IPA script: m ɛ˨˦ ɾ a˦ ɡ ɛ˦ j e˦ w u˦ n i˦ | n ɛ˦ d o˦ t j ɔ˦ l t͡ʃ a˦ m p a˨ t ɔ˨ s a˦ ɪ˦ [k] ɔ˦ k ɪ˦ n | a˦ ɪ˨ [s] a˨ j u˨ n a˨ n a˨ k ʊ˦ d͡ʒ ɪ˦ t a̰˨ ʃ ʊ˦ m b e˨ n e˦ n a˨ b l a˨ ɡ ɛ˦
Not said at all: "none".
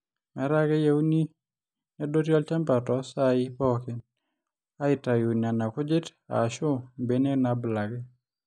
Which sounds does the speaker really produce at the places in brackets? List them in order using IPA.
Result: p, t

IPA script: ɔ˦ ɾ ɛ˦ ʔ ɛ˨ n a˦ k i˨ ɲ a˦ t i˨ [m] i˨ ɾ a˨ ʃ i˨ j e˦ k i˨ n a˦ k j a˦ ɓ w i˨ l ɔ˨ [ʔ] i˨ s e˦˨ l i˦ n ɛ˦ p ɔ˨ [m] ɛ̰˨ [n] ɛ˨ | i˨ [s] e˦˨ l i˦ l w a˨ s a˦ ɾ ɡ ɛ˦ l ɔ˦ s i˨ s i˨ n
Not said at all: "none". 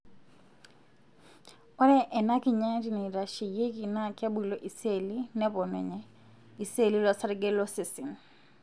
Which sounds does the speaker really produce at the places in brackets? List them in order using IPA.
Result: n, ʔ, n, ɲ, s

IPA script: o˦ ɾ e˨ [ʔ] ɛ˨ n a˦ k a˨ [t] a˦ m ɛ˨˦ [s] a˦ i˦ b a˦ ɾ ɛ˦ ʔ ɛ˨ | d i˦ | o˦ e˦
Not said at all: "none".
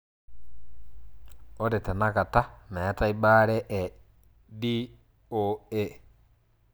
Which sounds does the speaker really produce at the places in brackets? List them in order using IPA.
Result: t, t, t

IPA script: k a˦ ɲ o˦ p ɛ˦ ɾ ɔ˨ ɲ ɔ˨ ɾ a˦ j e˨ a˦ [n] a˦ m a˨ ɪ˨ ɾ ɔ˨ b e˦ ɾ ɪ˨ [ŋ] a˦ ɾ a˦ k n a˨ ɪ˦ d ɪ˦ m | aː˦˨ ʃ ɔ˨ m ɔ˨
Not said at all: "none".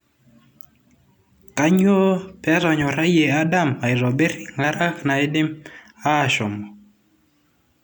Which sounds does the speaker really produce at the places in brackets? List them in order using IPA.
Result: d, ŋ

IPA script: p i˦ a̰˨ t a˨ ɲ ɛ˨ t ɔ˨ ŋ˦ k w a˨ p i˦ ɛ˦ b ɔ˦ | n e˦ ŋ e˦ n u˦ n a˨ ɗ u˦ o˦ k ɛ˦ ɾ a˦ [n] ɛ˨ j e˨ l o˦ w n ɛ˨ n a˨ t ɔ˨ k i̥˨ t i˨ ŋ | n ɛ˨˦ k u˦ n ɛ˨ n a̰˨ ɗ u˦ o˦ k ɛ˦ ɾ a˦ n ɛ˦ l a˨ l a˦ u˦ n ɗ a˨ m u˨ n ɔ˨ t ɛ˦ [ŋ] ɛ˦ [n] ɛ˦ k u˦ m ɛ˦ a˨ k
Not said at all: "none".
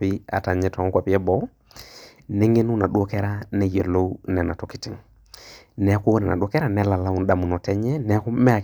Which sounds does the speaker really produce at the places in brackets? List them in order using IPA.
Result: n, ɲ, n

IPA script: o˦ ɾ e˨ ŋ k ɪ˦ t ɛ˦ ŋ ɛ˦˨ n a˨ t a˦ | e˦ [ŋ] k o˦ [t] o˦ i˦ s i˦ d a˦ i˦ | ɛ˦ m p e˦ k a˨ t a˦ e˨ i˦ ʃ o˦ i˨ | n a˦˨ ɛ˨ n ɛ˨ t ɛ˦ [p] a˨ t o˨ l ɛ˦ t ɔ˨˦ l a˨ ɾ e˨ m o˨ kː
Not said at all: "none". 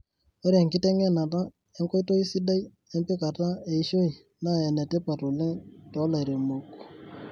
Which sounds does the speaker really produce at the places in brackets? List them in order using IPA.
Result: ŋ, t, p

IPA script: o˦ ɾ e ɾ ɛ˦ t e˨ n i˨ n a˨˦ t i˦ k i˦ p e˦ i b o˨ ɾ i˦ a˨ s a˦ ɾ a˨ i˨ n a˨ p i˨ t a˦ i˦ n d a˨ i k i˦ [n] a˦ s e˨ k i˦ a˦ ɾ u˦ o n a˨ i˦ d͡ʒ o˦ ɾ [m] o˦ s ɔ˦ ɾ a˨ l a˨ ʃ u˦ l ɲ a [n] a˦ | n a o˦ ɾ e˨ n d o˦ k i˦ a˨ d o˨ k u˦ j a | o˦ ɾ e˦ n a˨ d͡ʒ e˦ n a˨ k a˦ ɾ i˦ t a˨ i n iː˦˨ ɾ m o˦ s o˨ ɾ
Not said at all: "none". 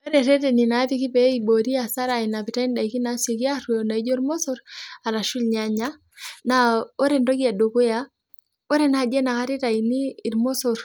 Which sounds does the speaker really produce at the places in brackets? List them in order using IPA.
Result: n, m, ɲ

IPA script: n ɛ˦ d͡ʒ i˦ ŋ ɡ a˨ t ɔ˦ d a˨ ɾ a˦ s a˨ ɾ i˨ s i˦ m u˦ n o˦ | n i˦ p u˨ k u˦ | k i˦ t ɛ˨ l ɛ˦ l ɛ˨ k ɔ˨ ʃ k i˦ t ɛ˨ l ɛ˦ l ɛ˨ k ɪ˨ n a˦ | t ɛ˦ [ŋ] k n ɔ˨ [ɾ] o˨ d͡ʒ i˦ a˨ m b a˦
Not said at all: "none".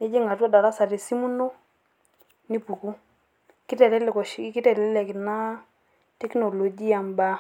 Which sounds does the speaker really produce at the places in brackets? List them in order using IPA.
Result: none, l

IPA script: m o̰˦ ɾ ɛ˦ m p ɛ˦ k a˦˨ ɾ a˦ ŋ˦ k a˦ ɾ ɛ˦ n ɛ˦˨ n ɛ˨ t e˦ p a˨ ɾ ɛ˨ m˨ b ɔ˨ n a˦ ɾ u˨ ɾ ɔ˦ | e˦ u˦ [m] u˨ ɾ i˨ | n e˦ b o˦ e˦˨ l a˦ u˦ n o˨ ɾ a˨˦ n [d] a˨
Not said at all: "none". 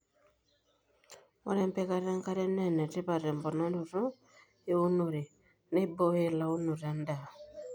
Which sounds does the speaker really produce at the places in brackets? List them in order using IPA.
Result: n, d

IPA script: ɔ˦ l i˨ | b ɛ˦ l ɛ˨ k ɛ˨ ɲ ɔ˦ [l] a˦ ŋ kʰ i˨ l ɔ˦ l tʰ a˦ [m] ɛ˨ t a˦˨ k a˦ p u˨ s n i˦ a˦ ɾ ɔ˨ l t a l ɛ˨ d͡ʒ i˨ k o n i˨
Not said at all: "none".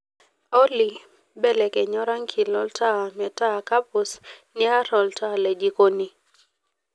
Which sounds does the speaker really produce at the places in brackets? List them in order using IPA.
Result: ɾ, m

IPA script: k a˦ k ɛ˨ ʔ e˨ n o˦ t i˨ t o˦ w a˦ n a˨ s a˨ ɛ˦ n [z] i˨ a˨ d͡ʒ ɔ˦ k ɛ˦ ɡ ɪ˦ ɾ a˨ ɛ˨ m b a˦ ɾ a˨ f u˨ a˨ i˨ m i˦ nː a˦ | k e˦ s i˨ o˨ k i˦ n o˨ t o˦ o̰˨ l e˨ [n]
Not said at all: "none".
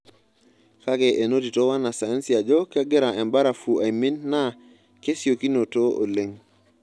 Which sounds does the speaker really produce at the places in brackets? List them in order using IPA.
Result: s, ŋ

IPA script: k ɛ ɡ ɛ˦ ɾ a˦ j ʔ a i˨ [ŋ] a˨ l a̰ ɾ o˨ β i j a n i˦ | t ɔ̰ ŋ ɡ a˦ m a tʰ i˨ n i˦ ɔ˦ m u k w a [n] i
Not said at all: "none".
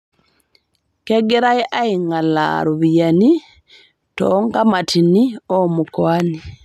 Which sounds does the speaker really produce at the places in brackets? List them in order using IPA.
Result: ŋ, n

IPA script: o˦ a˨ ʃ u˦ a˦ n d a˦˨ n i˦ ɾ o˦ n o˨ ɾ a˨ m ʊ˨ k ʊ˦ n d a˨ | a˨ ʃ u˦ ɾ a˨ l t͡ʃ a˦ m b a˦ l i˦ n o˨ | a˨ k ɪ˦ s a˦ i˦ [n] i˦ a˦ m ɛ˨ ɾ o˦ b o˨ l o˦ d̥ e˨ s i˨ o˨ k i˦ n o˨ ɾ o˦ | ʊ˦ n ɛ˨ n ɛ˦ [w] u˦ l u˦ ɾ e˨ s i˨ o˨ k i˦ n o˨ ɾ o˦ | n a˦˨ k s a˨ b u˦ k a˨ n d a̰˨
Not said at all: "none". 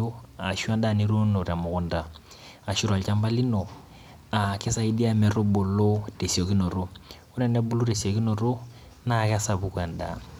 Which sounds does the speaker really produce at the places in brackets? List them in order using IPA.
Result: d, b

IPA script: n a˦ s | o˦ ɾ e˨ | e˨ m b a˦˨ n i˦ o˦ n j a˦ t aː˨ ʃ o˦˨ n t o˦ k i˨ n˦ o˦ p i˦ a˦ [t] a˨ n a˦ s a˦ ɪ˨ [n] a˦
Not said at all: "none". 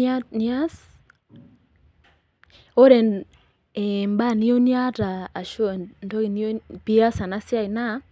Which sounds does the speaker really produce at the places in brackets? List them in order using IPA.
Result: s, n

